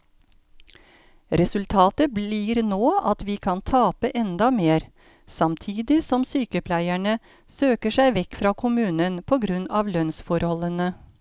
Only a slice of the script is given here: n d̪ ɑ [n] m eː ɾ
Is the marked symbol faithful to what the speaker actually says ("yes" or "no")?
no